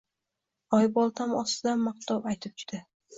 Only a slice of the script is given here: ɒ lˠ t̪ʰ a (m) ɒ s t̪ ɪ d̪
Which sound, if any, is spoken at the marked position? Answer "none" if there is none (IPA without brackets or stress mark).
m